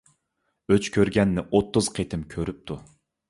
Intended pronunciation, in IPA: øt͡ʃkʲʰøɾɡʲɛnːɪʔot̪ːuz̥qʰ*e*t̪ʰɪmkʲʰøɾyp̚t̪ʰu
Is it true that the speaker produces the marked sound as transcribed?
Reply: yes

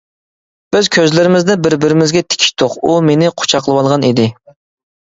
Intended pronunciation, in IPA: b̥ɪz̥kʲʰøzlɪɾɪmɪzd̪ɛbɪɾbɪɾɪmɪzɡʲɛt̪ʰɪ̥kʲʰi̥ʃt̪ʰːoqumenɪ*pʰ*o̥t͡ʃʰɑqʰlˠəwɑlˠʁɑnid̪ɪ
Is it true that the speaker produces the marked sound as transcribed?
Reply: no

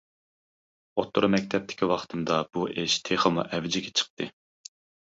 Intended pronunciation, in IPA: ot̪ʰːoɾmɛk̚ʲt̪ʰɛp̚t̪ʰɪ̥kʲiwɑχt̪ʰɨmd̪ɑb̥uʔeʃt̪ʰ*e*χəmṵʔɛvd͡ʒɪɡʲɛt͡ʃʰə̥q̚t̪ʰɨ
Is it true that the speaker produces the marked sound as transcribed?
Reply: yes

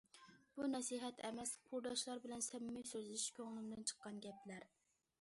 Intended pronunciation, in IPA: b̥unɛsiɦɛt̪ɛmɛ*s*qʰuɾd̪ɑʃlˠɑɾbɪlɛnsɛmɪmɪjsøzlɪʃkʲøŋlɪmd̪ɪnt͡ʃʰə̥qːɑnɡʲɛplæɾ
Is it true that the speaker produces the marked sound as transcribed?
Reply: yes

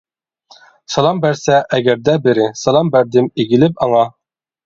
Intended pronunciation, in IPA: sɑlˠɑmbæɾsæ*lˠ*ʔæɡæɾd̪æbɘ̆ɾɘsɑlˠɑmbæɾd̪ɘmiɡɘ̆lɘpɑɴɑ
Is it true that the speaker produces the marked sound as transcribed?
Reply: no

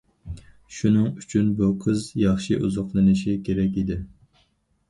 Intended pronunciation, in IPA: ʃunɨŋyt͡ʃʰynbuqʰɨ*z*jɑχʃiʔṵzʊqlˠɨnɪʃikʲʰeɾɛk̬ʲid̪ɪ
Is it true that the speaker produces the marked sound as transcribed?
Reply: yes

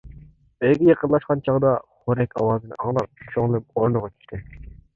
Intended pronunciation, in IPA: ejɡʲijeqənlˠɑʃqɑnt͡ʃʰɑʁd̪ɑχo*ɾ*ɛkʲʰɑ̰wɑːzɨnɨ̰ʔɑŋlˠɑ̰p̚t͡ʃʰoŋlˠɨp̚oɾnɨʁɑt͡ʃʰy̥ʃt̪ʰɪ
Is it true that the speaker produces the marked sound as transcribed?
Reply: yes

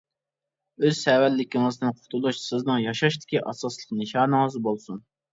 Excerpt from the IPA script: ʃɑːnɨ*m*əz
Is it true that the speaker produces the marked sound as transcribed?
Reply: no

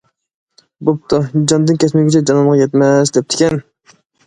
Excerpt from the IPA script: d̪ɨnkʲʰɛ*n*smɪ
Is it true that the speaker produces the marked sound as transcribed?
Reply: no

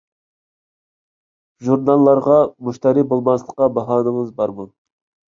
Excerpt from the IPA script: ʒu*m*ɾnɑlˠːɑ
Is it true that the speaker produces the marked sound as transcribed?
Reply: no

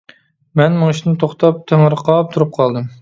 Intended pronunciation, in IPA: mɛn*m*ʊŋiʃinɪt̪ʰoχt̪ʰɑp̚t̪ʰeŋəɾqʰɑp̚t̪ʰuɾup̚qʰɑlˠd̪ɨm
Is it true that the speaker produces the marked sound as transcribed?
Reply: yes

